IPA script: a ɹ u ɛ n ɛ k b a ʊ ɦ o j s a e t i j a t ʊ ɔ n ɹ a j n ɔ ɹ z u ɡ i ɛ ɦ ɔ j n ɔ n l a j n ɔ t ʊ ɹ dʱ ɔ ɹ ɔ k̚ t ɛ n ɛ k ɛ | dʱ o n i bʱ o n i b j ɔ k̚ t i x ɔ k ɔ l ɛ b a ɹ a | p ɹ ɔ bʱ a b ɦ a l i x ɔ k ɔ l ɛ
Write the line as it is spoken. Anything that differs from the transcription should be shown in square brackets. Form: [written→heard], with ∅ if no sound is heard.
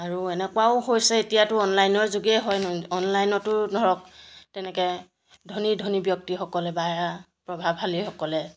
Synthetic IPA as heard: a ɹ u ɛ n ɛ k [b→w] a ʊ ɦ o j s [a→ɛ] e t i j a t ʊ ɔ n [ɹ→l] a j n ɔ ɹ z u ɡ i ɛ ɦ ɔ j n ɔ n l a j n ɔ t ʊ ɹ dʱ ɔ ɹ ɔ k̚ t ɛ n ɛ k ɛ | dʱ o n i [bʱ→dʱ] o n i b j ɔ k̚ t i x ɔ k ɔ l ɛ b a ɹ a | p ɹ ɔ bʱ a b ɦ a l i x ɔ k ɔ l ɛ